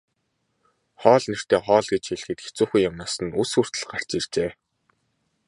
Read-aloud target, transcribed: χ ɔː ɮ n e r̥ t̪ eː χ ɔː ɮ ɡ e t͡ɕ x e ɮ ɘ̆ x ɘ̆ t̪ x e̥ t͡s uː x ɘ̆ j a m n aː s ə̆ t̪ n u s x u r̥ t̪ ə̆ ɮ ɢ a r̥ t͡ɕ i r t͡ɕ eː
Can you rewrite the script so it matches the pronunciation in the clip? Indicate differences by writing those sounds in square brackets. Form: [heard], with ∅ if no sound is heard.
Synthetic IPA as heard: χ ɔː ɮ n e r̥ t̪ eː χ ɔː ɮ ɡ e t͡ɕ x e ɮ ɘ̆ x ɘ̆ t̪ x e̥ t͡s uː x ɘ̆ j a m n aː s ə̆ [∅] n u s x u r̥ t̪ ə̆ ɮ ɢ a r̥ t͡ɕ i r t͡ɕ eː

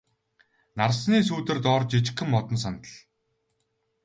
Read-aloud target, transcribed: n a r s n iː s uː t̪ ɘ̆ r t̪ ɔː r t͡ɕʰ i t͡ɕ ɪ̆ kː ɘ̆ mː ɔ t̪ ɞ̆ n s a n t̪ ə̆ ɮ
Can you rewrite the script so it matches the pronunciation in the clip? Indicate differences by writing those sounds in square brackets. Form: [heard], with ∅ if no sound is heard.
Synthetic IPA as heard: n a r s n iː s uː t̪ ɘ̆ r t̪ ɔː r [t͡ɕ] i t͡ɕ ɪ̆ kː ɘ̆ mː ɔ t̪ ɞ̆ n s a n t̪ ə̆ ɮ

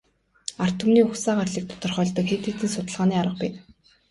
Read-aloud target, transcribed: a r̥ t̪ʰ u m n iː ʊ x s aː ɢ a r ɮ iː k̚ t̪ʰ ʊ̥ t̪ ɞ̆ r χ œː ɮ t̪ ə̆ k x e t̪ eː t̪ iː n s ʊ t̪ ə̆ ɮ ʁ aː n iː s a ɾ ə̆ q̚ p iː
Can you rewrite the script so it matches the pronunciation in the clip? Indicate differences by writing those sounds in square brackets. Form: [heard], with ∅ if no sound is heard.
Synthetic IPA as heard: a r̥ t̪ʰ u m n iː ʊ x s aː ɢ a r ɮ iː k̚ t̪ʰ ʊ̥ t̪ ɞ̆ r χ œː ɮ t̪ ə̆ k x e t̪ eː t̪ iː n s ʊ t̪ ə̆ ɮ ʁ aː n iː [∅] a ɾ ə̆ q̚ p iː

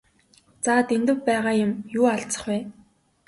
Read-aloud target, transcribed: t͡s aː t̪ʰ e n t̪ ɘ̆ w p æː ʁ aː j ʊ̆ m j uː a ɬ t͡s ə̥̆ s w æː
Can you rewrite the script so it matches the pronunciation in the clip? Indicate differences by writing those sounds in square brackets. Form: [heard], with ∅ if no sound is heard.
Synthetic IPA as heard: t͡s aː [t̪] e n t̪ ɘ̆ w p æː ʁ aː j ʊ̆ m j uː a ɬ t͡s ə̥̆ [χ] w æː

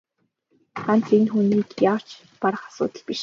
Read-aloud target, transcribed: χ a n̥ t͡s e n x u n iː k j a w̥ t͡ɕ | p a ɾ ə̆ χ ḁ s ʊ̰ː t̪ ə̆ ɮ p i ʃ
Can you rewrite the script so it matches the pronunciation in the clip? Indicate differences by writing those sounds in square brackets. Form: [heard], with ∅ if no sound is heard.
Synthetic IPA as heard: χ a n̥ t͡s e n x u n iː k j a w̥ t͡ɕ | p a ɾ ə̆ χ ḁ s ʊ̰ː t̪ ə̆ ɮ p i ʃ

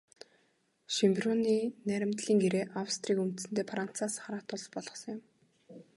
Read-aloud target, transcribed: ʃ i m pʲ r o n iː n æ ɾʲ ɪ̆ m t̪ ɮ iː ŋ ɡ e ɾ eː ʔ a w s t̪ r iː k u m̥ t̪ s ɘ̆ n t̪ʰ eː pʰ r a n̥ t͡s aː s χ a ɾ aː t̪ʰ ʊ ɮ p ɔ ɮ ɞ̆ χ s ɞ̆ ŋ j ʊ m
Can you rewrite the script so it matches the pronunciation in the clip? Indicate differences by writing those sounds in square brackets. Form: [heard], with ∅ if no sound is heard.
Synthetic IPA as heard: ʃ i m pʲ r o n iː n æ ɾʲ ɪ̆ m t̪ ɮ iː ŋ ɡ e ɾ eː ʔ a w s t̪ r iː k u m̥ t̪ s ɘ̆ n [t̪] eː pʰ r a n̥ t͡s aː s χ a ɾ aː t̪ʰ ʊ ɮ p ɔ ɮ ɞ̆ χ s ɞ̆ ŋ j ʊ m

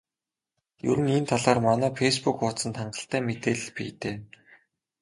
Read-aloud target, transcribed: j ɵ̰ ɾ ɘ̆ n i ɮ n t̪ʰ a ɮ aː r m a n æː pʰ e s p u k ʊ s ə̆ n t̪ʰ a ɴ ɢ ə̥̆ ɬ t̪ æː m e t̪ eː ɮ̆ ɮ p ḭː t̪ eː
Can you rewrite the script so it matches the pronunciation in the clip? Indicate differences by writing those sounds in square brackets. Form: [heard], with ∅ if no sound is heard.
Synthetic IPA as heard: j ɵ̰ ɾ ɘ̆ n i [∅] n t̪ʰ a ɮ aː r m a n æː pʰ e s p u k ʊ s ə̆ n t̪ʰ a ɴ ɢ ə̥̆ ɬ t̪ æː m e t̪ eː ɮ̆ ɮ p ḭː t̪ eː

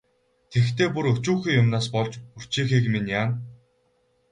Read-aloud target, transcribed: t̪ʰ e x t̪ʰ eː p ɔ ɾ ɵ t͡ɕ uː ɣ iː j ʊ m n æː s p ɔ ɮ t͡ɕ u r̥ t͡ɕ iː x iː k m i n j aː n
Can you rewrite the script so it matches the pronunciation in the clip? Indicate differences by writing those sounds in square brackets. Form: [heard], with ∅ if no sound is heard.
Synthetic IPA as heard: t̪ʰ e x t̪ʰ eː p [u] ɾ ɵ t͡ɕ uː [x] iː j ʊ m n [aː] s p ɔ ɮ t͡ɕ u r̥ t͡ɕ iː x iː k m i n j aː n

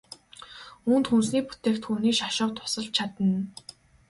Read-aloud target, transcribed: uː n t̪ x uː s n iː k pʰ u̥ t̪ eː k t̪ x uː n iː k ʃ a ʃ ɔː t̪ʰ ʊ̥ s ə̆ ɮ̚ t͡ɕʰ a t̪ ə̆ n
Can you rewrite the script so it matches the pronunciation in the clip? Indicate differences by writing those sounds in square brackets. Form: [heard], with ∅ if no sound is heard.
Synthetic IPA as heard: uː n t̪ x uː s n iː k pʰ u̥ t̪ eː k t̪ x uː n iː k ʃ a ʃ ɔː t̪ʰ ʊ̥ s ə̆ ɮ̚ t͡ɕʰ a t̪ ə̆ n

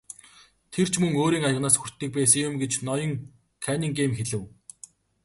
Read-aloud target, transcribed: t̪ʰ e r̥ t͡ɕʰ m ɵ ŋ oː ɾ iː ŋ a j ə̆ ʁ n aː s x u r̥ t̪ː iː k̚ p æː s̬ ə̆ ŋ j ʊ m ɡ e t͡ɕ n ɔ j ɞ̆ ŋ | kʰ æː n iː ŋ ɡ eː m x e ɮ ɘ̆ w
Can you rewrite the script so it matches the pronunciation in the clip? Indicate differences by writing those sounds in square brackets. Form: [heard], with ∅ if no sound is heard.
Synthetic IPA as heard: t̪ʰ e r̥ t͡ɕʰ m ɵ ŋ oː ɾ iː ŋ a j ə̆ ʁ n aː s x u r̥ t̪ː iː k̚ p æː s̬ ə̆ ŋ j ʊ m ɡ e t͡ɕ n ɔ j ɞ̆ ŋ | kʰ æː n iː ŋ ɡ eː m x e ɮ ɘ̆ w

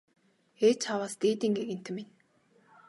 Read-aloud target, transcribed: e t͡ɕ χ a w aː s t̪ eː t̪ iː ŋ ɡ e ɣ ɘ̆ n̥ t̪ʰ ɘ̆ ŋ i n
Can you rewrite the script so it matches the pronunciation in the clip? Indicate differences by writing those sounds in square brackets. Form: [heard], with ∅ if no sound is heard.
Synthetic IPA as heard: e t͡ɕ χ a w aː s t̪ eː t̪ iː ŋ ɡ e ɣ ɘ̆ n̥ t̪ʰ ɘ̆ [m] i n

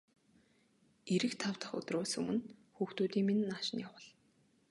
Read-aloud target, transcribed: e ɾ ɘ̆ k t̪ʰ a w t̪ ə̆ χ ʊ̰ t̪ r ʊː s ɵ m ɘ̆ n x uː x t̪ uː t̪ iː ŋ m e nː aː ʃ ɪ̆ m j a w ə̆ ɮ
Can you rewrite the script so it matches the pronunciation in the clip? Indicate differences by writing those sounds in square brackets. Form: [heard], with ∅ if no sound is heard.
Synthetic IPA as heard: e ɾ ɘ̆ k t̪ʰ a w t̪ ə̆ χ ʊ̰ t̪ r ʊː s ɵ m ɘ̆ n x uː x t̪ uː t̪ iː ŋ m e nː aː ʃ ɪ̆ [n] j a w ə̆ ɮ

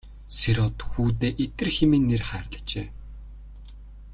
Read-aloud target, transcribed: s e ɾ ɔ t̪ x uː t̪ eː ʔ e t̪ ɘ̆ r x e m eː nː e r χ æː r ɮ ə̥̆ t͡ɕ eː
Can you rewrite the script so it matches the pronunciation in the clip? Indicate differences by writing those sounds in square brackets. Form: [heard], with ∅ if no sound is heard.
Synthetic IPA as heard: s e ɾ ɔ t̪ x uː t̪ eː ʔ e t̪ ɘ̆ r x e m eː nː e r χ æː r ɮ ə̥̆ t͡ɕ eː

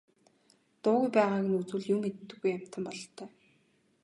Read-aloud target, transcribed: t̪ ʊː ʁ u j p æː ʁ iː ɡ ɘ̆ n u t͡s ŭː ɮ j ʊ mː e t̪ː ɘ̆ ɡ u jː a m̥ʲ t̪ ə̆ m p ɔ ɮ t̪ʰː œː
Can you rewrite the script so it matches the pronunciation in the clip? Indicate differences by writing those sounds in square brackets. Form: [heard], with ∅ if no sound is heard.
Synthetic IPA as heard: t̪ ʊː [ɣ] u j p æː ʁ [aː] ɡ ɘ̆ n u t͡s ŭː ɮ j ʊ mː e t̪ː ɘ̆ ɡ u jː a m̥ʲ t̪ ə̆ m p ɔ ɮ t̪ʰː œː

